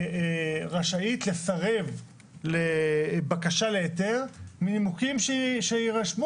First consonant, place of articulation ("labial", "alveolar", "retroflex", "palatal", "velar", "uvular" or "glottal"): uvular